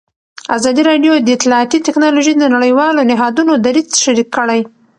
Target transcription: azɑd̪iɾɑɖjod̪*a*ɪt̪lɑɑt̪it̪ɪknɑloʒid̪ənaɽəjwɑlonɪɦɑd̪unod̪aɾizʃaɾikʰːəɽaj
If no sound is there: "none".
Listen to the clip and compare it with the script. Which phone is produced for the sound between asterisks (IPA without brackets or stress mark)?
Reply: ə